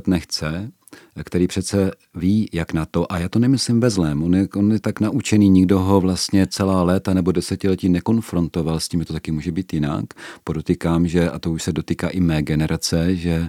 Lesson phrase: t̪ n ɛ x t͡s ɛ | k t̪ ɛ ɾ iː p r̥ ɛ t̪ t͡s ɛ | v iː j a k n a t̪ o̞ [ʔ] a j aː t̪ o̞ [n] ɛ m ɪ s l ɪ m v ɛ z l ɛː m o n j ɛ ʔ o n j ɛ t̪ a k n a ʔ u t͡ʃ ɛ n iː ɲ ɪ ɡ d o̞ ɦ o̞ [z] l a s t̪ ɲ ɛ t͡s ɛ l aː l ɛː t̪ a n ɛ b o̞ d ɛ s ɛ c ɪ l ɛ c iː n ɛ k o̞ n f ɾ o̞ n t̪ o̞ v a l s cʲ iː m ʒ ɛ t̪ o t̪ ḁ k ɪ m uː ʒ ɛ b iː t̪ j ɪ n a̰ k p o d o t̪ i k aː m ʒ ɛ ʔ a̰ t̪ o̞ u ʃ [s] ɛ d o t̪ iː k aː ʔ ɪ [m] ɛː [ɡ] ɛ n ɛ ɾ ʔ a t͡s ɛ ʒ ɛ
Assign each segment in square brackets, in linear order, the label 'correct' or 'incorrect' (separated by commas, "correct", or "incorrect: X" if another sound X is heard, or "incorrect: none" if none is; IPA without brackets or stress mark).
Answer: correct, correct, incorrect: v, correct, correct, correct